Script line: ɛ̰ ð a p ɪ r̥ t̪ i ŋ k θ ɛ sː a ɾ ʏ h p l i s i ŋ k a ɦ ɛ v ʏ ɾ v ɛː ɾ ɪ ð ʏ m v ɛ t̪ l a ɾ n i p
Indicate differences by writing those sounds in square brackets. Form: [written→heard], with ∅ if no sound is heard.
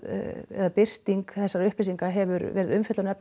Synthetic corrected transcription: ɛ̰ ð a p ɪ r̥ t̪ i ŋ k θ ɛ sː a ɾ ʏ h p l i s i ŋ k a ɦ ɛ v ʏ ɾ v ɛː ɾ ɪ ð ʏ m [v→f] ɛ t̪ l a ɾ n [i→ɛ] p